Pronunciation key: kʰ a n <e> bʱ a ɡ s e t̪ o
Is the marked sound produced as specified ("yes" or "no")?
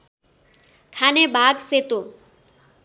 yes